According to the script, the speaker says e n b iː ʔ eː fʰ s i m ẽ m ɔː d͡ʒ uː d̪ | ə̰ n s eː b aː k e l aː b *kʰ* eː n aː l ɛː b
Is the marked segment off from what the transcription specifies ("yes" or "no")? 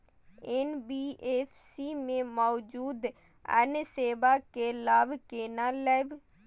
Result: yes